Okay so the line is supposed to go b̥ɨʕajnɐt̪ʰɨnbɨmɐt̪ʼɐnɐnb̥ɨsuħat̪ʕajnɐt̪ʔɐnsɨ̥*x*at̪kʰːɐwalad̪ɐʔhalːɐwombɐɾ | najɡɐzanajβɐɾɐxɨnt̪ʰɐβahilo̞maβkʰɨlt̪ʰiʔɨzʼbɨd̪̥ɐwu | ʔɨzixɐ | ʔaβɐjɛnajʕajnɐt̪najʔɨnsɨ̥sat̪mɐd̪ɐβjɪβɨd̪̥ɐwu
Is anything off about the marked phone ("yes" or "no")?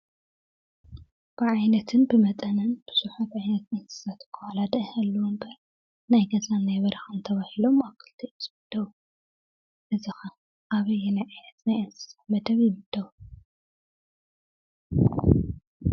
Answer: yes